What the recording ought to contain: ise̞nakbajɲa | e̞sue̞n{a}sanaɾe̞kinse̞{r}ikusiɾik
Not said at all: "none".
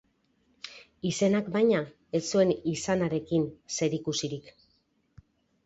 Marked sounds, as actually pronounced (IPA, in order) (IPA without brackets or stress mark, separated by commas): i, ɾ